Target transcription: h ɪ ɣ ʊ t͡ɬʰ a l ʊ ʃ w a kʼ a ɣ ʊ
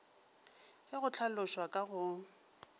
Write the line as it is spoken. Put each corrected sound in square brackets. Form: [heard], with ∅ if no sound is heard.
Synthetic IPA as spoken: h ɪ ɣ ʊ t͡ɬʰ a l ʊ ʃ w a kʼ a ɣ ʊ